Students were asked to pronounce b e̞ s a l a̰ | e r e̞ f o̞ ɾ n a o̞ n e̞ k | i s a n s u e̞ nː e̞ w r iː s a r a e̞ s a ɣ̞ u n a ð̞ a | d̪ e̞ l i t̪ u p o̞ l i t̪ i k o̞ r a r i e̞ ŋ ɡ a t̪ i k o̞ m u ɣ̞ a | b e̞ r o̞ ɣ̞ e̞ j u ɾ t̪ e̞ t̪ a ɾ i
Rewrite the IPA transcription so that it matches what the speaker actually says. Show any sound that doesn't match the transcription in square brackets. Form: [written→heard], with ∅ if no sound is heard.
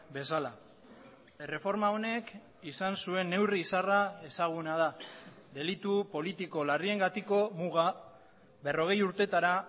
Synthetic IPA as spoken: b e̞ s a l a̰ | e r e̞ f o̞ ɾ [n→m] a o̞ n e̞ k | i s a n s u e̞ nː e̞ w r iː s a r a e̞ s a ɣ̞ u n a ð̞ a | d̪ e̞ l i t̪ u p o̞ l i t̪ i k o̞ [r→l] a r i e̞ ŋ ɡ a t̪ i k o̞ m u ɣ̞ a | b e̞ r o̞ ɣ̞ e̞ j u ɾ t̪ e̞ t̪ a ɾ [i→a]